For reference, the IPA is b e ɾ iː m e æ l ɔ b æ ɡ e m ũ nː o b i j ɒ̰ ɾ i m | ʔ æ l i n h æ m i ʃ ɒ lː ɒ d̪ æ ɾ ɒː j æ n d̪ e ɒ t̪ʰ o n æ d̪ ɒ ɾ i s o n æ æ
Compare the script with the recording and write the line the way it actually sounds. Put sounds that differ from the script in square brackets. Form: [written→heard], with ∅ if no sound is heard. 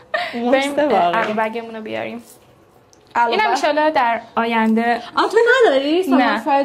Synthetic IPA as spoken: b e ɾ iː m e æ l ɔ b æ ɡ e m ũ [nː→n] o b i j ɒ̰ ɾ i m | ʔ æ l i n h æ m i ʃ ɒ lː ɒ d̪ æ ɾ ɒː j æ n d̪ e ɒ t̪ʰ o n æ d̪ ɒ ɾ i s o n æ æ